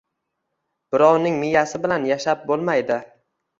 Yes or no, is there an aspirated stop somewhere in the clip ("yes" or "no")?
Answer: no